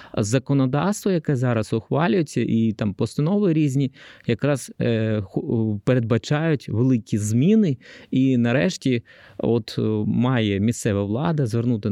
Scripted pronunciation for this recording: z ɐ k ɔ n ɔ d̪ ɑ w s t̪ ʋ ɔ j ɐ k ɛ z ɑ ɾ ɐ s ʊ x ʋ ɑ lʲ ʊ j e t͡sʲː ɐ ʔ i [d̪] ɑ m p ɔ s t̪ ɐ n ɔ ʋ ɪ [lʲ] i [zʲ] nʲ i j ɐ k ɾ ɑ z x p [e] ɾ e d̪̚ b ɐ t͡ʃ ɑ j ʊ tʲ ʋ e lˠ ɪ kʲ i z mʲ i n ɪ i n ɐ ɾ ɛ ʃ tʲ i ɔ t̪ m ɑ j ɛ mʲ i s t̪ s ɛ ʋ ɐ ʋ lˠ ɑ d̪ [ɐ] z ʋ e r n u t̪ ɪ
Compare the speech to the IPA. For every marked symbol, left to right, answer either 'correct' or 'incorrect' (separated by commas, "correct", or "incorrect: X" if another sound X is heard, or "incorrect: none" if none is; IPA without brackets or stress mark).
incorrect: t̪, incorrect: ɾʲ, correct, correct, correct